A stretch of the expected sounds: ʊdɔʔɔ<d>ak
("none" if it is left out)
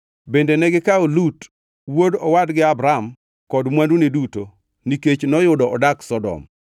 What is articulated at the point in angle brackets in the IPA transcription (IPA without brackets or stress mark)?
d